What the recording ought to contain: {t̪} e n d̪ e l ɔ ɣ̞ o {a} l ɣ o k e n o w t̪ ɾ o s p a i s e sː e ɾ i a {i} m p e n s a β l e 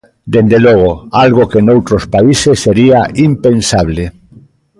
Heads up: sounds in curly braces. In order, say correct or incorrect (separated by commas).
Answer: incorrect, correct, correct